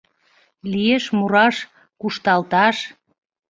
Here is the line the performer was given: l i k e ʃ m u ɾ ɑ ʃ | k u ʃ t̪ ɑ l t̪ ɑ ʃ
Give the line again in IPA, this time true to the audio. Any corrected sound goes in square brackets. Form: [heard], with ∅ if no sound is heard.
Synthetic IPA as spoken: l i [∅] e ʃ m u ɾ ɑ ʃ | k u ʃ t̪ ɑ l t̪ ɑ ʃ